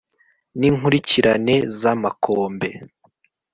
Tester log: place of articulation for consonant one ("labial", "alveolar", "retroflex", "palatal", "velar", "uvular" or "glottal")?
alveolar